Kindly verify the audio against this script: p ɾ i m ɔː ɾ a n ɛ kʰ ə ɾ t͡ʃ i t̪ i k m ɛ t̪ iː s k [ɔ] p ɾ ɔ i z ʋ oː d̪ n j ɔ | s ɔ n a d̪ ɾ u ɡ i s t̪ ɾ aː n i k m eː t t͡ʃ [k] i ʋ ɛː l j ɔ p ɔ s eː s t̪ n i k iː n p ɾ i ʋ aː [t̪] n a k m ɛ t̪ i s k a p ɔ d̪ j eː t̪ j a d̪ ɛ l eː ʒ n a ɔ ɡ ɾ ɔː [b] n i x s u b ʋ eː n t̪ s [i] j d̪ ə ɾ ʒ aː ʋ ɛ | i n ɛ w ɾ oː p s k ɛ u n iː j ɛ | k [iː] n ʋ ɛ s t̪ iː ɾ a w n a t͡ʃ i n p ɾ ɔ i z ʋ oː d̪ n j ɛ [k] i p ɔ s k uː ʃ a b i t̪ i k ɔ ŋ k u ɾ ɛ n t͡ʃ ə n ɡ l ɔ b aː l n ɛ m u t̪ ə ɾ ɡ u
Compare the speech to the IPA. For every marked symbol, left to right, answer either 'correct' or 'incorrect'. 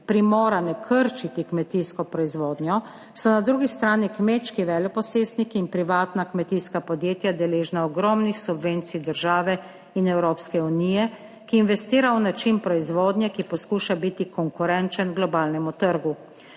correct, correct, correct, incorrect, correct, correct, correct

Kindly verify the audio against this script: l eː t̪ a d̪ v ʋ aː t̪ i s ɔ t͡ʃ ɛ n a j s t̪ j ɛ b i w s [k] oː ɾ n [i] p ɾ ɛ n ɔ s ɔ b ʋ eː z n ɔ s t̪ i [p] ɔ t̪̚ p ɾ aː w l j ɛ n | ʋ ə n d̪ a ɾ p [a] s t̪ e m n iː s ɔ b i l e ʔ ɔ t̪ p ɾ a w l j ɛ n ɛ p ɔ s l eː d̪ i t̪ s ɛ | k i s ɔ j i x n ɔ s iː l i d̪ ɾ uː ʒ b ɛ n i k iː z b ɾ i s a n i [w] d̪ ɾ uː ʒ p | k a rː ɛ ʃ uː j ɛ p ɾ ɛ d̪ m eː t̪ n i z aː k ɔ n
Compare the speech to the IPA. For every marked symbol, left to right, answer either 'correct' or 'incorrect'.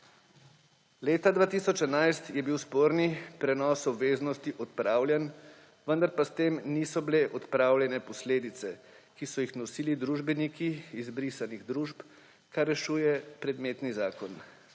incorrect, correct, incorrect, correct, incorrect

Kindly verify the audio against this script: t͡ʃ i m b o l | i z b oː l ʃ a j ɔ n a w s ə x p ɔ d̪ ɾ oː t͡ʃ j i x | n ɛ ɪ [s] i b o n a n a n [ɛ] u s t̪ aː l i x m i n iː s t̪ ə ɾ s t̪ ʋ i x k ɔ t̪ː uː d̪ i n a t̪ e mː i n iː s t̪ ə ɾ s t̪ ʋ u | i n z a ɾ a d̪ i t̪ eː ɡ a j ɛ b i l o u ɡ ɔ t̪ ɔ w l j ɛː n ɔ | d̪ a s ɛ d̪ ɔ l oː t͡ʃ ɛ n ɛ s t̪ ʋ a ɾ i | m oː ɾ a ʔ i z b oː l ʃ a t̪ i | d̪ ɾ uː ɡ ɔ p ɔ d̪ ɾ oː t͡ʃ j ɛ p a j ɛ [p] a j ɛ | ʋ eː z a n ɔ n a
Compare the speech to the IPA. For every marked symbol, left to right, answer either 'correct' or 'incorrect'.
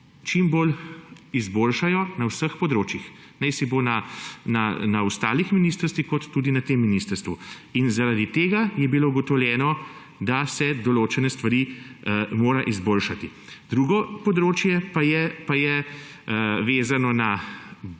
correct, incorrect, correct

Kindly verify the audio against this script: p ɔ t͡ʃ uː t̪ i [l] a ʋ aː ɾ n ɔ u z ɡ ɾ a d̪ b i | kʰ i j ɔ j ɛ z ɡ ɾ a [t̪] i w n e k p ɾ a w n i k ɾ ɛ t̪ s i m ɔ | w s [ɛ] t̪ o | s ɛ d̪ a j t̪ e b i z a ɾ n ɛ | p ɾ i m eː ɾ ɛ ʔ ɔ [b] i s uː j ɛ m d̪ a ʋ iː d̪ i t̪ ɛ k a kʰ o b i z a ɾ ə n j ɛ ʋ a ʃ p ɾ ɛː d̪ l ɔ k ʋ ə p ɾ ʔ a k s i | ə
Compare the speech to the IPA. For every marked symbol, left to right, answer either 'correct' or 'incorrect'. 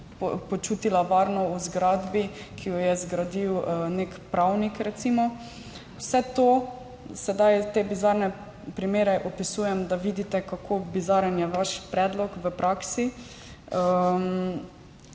correct, incorrect, correct, incorrect

